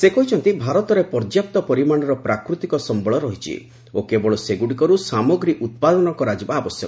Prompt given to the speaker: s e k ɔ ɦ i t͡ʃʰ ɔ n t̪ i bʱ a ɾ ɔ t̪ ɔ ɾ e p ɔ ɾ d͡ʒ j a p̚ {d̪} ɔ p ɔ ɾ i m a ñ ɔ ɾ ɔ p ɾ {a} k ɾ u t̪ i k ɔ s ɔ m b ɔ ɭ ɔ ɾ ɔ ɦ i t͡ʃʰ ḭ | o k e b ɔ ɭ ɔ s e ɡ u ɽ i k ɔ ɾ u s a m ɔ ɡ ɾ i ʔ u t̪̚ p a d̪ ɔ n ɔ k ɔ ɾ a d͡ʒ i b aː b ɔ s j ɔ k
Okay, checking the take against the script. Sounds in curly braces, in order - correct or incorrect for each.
incorrect: t̪, correct

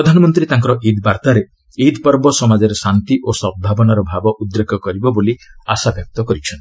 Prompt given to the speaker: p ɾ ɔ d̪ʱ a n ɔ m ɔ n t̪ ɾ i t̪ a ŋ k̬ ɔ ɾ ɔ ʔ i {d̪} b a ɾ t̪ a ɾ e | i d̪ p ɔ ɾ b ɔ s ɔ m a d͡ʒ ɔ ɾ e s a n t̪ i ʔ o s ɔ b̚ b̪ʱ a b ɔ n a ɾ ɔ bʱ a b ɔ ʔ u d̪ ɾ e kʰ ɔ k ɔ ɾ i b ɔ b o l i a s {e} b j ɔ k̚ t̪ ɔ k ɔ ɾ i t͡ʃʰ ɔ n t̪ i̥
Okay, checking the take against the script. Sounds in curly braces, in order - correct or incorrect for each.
correct, incorrect: a

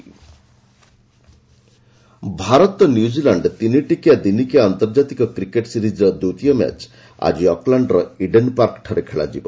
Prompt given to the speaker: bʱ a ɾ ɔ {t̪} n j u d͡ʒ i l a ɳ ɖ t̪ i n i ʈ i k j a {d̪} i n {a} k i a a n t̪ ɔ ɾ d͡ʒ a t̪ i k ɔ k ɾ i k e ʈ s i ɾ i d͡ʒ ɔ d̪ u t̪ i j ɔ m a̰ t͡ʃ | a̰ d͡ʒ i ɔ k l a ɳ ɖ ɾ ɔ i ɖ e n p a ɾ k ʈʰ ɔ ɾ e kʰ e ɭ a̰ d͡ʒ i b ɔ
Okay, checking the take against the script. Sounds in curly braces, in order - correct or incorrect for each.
correct, correct, incorrect: i

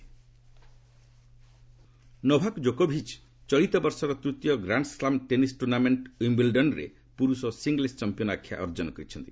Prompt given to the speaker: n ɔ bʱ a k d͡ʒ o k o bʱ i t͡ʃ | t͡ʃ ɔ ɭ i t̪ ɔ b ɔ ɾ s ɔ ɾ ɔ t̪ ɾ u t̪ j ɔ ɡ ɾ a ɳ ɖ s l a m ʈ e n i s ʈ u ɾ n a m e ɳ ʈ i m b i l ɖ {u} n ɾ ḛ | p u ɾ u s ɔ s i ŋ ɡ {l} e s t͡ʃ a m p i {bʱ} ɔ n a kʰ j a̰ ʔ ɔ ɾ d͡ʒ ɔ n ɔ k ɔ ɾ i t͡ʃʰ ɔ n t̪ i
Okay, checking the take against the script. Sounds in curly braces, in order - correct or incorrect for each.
incorrect: ɔ, correct, incorrect: none

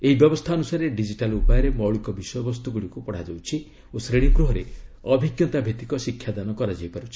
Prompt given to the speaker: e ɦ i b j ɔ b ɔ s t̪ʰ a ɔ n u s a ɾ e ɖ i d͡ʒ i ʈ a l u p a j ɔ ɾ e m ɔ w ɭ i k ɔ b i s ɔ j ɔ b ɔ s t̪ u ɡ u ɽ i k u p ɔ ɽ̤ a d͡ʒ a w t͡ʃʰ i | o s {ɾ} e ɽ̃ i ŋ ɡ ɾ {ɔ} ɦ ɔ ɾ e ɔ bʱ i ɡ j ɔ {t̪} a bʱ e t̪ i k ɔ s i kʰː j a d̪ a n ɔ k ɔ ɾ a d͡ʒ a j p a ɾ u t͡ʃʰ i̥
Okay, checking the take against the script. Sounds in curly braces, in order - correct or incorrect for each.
correct, incorrect: u, correct

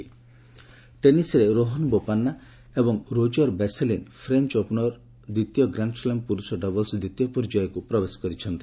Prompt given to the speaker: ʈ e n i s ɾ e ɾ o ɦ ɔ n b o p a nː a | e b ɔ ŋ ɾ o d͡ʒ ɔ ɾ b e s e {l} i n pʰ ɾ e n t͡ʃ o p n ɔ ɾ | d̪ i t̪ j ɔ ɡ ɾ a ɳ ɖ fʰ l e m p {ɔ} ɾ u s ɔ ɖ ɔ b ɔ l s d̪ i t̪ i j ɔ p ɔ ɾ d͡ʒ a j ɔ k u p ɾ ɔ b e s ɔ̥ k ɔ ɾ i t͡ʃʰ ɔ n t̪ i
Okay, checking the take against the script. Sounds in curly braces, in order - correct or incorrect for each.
correct, incorrect: u

